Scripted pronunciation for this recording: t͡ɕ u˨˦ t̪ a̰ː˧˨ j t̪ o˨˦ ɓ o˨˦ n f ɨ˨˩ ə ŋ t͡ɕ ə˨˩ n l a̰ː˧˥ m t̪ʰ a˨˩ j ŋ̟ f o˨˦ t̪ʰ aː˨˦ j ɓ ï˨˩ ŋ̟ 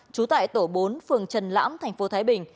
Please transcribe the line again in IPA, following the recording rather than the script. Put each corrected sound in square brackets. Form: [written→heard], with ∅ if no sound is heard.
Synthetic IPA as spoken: t͡ɕ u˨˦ t̪ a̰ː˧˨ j t̪ [o˨˦→o˧˩] ɓ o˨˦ n f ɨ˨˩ ə ŋ t͡ɕ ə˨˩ n l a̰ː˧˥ m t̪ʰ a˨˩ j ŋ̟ f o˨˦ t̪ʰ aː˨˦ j ɓ ï˨˩ ŋ̟